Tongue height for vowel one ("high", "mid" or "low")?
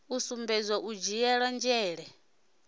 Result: high